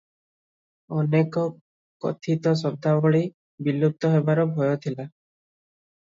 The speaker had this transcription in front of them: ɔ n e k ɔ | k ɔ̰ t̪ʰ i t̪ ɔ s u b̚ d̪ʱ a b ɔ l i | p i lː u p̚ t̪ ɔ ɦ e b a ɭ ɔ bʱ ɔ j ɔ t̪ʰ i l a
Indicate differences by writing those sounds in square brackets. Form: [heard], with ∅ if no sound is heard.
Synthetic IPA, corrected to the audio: ɔ n e k ɔ | k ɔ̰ t̪ʰ i t̪ ɔ s [ɔ] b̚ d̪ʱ a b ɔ [ɭ] i | [b] i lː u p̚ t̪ ɔ ɦ e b a [ɾ] ɔ bʱ ɔ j ɔ t̪ʰ i l a